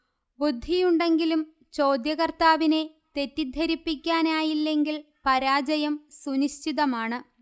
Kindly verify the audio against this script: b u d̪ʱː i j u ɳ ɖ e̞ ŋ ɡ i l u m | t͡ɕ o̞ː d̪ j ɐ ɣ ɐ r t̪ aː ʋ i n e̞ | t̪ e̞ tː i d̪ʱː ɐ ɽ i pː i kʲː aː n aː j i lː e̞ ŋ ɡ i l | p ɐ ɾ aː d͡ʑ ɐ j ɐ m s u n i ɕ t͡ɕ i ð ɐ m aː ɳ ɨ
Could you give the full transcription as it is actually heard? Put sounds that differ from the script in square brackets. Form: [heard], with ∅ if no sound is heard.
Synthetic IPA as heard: b u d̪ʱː i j u ɳ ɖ e̞ ŋ ɡ i l u m | t͡ɕ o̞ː d̪ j ɐ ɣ ɐ r t̪ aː ʋ i n e̞ | t̪ e̞ tː i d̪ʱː ɐ [ɾ] i pː i kʲː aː n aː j i lː e̞ ŋ ɡ i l | p ɐ ɾ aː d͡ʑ ɐ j ɐ m s u n i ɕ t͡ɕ i ð ɐ m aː ɳ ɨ